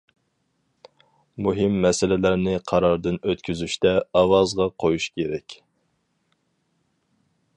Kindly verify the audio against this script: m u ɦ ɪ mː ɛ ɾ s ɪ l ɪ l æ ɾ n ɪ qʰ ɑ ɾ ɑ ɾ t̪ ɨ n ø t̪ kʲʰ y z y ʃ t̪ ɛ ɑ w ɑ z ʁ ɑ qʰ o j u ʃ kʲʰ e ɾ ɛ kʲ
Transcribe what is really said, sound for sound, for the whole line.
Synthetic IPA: m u ɦ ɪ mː ɛ s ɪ l ɪ l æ ɾ n ɪ qʰ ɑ ɾ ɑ ɾ d̪ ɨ n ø t̪ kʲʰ y z y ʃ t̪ ɛ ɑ w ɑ z ʁ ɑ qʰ o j u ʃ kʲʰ e ɾ ɛ kʲ